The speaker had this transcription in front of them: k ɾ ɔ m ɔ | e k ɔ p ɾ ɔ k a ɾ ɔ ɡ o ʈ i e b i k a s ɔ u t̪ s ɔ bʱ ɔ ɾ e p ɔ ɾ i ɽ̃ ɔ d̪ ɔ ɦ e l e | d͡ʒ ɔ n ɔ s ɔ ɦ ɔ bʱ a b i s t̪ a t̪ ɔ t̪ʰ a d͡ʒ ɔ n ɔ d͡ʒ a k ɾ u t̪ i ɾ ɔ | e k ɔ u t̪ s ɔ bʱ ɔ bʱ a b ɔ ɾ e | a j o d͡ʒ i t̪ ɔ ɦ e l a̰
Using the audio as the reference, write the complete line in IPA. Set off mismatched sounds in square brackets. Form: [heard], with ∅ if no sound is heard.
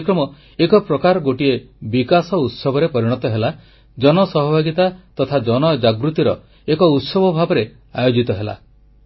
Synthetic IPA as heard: k ɾ ɔ m ɔ | e k ɔ p ɾ ɔ k a ɾ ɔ ɡ o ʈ i e b i k a s ɔ u t̪ s ɔ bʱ ɔ ɾ e p ɔ ɾ i ɽ̃ ɔ [t̪] ɔ ɦ e l [a] | d͡ʒ ɔ n ɔ s ɔ ɦ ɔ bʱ a [ɡ] i [∅] t̪ a t̪ ɔ t̪ʰ a d͡ʒ ɔ n ɔ d͡ʒ a [ɡ] ɾ u t̪ i ɾ ɔ | e k ɔ u t̪ s ɔ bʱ ɔ bʱ a b ɔ ɾ e | a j o d͡ʒ i t̪ ɔ ɦ e l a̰